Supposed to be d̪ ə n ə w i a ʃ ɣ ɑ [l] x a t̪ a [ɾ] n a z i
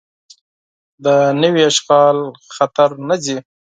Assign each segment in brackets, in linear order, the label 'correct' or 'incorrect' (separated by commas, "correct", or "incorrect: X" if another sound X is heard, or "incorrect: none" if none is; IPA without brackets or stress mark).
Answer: correct, correct